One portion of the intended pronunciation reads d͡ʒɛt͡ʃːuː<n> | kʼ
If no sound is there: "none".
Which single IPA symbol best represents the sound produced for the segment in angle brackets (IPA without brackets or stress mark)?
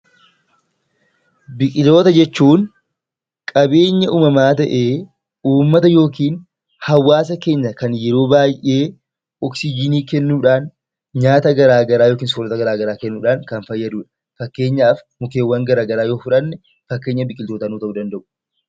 n